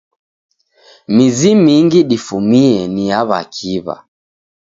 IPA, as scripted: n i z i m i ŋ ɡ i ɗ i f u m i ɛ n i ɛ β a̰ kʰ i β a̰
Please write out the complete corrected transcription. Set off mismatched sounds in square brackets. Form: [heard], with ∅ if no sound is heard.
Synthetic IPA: [m] i z i m i ŋ ɡ i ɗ i f u m i ɛ n i [a] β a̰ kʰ i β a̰